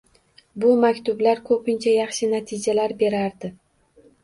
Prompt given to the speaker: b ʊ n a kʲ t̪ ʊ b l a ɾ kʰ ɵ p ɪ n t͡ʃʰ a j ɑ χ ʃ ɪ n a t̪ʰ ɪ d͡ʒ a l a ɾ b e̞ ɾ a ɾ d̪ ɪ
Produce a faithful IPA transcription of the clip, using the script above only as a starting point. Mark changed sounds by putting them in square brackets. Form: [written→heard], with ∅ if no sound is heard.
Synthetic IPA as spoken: b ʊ [n→m] a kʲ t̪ ʊ b l a ɾ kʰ ɵ p ɪ n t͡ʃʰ a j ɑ χ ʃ ɪ n a t̪ʰ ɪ d͡ʒ a l a ɾ b e̞ ɾ a ɾ d̪ ɪ